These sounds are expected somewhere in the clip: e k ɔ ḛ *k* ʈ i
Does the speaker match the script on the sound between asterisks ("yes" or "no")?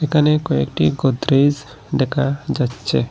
yes